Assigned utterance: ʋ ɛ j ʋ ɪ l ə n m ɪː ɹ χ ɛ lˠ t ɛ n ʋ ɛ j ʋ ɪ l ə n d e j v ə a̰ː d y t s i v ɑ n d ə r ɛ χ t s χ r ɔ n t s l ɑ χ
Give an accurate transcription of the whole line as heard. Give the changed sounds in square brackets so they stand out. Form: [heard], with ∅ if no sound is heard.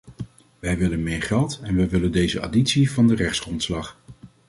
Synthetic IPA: ʋ ɛ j ʋ ɪ l ə n m ɪː ɹ χ ɛ lˠ t ɛ n ʋ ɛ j ʋ ɪ l ə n d e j [z] ə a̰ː d [i] t s i v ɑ n d ə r ɛ χ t s χ r ɔ n t s l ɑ χ